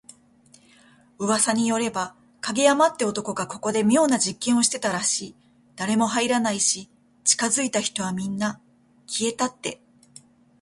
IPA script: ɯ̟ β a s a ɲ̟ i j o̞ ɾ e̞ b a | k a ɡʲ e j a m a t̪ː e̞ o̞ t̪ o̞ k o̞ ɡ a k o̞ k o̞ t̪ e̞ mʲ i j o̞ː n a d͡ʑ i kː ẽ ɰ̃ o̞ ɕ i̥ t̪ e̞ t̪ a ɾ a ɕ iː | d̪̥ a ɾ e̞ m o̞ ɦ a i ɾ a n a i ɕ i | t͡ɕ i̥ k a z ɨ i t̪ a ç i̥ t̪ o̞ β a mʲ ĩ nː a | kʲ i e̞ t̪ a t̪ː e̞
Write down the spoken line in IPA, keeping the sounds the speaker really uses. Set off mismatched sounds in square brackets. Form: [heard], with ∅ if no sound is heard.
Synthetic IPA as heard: ɯ̟ β a s a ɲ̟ i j o̞ ɾ e̞ b a | k a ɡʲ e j a m a t̪ː e̞ o̞ t̪ o̞ k o̞ ɡ a k o̞ k o̞ [d̪] e̞ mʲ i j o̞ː n a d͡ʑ i kː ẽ ɰ̃ o̞ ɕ i̥ t̪ e̞ t̪ a ɾ a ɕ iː | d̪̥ a ɾ e̞ m o̞ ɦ a i ɾ a n a i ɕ i | t͡ɕ i̥ k a z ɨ i t̪ a ç i̥ t̪ o̞ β a mʲ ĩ nː a | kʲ i e̞ t̪ a t̪ː e̞